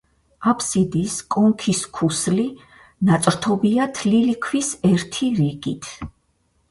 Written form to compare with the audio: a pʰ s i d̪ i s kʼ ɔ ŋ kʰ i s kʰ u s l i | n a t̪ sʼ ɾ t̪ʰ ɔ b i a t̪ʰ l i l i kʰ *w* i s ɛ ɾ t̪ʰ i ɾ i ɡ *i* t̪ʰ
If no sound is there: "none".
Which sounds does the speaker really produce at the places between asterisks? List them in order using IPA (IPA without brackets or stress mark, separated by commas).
w, i